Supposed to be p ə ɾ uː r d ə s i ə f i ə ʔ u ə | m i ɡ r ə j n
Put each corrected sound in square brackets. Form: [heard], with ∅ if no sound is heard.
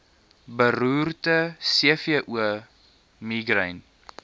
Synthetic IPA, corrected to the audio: [b] ə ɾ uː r [t] ə s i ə f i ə ʔ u ə | m i ɡ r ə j n